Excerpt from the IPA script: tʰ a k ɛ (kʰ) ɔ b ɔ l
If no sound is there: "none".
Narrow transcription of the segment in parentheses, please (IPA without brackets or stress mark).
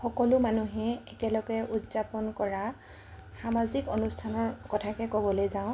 k